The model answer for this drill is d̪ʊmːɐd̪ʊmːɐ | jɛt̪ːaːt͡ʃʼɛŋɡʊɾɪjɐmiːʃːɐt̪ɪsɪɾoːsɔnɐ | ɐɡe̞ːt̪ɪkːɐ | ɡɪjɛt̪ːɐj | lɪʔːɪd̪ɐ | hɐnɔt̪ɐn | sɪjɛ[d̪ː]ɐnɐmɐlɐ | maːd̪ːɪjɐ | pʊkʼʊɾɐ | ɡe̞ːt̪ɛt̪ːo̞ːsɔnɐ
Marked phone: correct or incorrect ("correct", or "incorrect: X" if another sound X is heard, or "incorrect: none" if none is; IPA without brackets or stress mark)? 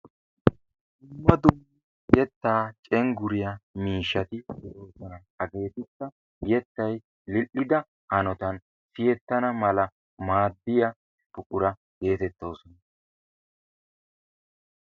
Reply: incorrect: t̪ː